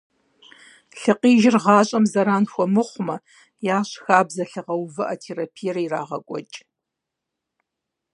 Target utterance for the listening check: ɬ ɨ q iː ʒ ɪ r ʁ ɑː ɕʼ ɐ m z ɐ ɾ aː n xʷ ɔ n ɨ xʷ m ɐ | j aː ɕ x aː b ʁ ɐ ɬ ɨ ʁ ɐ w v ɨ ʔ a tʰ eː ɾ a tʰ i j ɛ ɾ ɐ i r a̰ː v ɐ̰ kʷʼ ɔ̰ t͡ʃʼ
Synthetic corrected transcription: ɬ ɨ q iː ʒ ɪ r ʁ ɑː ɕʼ ɐ m z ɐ ɾ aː n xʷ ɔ m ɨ χʷ m ɐ | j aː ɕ x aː b z ɐ ɬ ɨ ʁ ɐ w v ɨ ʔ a tʰ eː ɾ a pʰ i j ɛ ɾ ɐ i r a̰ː ʁ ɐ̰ kʷʼ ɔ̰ t͡ʃʼ